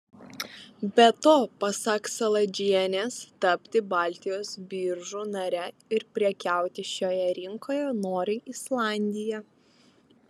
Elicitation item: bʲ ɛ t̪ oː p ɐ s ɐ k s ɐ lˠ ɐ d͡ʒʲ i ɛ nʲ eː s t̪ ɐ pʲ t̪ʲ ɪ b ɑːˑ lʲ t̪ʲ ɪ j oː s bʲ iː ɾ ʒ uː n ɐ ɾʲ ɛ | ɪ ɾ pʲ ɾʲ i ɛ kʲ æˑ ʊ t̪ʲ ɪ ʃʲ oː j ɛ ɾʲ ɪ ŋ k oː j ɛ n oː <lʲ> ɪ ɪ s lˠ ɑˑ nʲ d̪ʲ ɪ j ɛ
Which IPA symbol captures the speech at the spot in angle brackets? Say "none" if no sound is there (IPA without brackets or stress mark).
ɾʲ